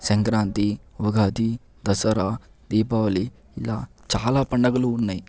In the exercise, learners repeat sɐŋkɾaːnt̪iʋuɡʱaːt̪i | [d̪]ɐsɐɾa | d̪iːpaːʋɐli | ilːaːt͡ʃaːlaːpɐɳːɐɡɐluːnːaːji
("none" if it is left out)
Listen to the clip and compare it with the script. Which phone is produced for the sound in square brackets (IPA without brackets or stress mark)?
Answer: d̪